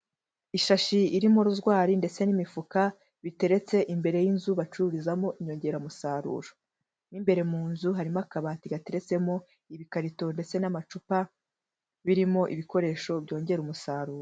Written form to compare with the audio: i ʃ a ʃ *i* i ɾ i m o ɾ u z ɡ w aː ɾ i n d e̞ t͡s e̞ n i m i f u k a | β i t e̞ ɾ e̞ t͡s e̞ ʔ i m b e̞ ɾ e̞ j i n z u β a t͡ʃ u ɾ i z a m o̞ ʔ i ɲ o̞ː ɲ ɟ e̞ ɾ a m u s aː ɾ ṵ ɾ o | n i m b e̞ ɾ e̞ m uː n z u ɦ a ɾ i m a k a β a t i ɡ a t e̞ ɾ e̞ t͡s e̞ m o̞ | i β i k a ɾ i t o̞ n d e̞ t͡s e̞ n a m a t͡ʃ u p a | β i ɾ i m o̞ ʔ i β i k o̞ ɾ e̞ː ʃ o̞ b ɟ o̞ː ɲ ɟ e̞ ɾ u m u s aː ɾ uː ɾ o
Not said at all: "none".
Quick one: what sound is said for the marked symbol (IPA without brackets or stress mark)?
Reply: i